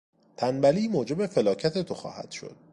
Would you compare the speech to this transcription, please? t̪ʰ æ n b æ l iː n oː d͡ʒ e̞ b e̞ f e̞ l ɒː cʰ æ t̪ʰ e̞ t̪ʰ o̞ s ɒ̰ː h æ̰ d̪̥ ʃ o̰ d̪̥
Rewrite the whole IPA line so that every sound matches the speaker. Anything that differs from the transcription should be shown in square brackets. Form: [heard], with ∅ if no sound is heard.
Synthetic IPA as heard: t̪ʰ æ n b æ l iː [m] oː d͡ʒ e̞ b e̞ f e̞ l ɒː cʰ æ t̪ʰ e̞ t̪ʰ o̞ [x] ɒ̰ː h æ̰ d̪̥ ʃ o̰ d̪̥